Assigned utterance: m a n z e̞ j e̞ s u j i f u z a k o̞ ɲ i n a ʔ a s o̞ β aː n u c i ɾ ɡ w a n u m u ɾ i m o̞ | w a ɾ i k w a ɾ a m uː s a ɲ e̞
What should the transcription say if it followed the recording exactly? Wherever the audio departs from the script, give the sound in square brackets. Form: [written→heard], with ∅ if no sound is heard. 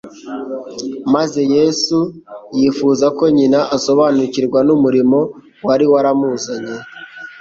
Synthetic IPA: m a [n→∅] z e̞ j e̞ s u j i f u z a k o̞ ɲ i n a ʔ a s o̞ β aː n u c i ɾ ɡ w a n u m u ɾ i m o̞ | w a ɾ i [k→∅] w a ɾ a m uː [s→z] a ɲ e̞